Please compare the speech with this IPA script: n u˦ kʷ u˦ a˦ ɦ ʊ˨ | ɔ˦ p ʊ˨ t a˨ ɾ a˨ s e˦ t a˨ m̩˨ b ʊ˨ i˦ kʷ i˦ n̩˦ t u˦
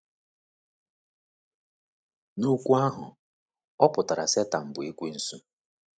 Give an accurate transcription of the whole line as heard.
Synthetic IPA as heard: n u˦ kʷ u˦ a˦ ɦ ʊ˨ | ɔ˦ p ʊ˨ t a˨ ɾ a˨ s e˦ t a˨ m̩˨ b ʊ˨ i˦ kʷ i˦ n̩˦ s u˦